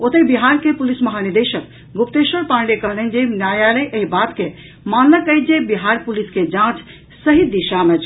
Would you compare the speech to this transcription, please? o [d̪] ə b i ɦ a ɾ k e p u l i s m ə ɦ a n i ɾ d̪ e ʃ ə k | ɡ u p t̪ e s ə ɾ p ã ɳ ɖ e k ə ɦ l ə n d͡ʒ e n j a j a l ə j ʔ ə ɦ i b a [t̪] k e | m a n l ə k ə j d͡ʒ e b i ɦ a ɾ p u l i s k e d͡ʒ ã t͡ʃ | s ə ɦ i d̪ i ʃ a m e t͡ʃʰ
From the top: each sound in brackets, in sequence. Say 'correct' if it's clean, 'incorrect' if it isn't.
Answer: incorrect, correct

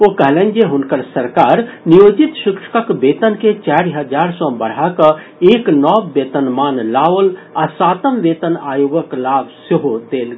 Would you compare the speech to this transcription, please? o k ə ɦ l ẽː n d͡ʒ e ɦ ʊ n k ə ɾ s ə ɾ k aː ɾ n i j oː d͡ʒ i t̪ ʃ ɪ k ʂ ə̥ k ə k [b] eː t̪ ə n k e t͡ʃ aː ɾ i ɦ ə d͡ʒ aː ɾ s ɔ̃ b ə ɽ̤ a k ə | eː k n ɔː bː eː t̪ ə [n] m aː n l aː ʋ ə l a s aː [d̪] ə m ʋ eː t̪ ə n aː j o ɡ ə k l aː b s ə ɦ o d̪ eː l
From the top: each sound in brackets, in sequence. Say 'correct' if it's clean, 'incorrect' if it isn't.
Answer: correct, correct, incorrect

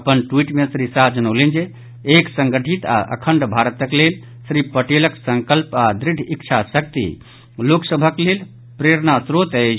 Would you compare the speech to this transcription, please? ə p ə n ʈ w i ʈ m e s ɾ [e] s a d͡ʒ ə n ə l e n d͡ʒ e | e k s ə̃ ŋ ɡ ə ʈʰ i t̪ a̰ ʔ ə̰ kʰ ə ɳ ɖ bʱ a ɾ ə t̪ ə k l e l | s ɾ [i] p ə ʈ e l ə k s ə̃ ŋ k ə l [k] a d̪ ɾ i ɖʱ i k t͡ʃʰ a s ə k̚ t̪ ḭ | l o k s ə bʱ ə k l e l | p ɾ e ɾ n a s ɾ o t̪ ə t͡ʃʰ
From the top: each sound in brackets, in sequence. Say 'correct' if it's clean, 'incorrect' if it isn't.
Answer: incorrect, correct, incorrect

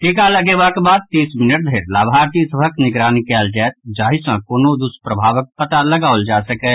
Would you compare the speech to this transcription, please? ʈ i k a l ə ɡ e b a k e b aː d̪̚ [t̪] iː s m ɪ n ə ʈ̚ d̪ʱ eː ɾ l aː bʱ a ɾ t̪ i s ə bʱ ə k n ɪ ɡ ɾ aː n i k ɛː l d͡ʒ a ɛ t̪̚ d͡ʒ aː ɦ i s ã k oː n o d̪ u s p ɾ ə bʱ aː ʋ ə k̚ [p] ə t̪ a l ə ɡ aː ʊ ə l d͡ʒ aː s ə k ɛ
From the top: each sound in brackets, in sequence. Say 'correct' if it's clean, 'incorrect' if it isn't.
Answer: correct, correct

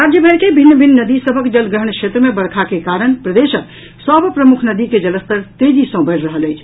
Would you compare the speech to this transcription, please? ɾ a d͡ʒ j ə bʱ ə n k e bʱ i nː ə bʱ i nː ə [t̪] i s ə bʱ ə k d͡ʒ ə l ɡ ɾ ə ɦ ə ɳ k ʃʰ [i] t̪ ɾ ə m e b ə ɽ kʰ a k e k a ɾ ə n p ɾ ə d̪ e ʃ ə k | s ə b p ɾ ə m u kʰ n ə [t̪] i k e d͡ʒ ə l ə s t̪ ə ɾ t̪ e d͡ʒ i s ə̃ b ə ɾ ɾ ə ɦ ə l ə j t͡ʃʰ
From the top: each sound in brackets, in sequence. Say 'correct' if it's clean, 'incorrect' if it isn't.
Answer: incorrect, incorrect, incorrect

